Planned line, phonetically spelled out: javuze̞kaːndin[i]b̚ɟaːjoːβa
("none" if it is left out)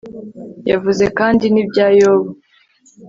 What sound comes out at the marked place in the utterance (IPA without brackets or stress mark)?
i